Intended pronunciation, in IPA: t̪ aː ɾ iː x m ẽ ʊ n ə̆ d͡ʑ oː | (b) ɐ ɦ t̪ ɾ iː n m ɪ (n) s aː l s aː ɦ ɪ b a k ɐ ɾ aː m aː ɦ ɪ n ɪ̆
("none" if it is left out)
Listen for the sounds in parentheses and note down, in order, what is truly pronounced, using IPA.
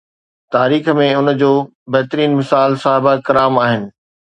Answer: b, none

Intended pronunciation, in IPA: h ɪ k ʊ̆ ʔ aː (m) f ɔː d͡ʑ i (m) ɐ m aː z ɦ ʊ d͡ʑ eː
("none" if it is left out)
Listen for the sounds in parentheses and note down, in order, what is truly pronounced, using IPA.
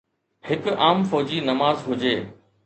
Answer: m, n

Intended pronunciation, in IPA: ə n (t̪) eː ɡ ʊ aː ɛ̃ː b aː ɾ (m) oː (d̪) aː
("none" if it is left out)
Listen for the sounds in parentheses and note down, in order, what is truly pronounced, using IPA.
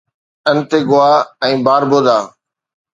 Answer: t̪, b, d̪

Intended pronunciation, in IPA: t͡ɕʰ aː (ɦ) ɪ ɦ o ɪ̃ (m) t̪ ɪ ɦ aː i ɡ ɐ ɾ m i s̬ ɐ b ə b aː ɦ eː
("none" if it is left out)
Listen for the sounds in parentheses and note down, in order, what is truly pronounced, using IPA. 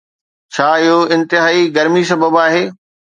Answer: none, n

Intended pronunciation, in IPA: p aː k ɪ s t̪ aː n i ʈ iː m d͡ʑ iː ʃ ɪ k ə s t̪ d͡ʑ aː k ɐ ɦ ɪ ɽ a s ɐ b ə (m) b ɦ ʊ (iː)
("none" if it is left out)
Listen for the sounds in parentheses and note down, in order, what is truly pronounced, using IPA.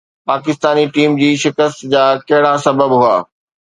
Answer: none, aː

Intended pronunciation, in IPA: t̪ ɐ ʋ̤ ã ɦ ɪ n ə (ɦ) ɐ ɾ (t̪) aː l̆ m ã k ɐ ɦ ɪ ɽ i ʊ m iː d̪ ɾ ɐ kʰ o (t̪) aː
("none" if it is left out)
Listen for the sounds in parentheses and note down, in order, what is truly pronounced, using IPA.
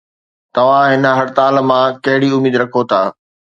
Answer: ɦ, t̪, t̪ʰ

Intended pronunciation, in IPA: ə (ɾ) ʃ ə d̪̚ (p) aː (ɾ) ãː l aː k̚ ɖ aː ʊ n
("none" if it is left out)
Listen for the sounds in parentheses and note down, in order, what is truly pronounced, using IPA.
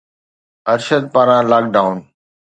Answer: ɾ, p, ɾ

